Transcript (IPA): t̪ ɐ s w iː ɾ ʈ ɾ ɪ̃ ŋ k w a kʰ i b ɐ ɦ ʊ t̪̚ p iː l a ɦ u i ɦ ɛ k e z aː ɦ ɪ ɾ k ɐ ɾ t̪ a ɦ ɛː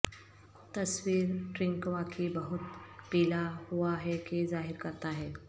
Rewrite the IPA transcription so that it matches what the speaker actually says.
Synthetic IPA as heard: t̪ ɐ s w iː ɾ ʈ ɾ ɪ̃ ŋ k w a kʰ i b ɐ ɦ ʊ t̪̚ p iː l a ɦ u a ɦ ɛ k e z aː ɦ ɪ ɾ k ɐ ɾ t̪ a ɦ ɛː